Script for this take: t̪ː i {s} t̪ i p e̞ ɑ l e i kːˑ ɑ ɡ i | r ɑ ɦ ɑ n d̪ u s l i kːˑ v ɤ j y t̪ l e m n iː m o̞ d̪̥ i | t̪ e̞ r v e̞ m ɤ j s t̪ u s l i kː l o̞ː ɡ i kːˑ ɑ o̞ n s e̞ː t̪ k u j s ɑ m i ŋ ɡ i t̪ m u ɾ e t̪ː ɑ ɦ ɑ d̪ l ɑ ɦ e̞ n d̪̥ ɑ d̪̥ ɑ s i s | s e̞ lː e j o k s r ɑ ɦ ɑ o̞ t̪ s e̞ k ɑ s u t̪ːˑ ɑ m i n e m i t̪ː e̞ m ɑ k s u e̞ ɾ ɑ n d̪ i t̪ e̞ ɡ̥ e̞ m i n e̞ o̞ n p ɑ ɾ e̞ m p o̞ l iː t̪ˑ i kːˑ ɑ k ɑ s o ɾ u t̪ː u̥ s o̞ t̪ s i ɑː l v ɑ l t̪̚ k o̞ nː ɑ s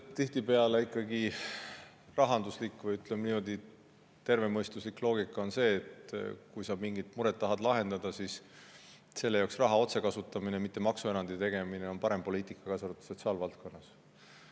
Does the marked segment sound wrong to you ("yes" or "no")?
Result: yes